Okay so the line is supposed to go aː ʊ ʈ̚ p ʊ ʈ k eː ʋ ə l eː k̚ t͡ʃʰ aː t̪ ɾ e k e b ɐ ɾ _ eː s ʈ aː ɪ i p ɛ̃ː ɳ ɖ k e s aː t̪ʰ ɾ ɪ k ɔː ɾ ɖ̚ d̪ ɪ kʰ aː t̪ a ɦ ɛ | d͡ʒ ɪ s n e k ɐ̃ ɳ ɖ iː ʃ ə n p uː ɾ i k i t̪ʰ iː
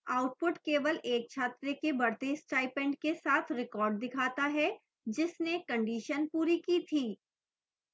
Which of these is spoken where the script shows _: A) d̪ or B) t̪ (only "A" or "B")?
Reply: B